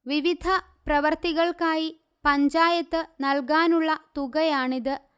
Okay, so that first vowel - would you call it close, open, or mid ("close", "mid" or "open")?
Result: close